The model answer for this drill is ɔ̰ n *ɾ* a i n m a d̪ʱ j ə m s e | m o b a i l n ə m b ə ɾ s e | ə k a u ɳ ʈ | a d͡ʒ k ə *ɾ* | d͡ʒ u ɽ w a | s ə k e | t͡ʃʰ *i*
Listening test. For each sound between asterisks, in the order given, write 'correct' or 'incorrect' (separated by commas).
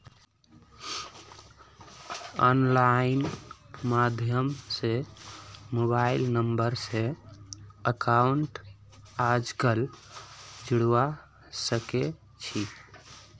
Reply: incorrect, incorrect, correct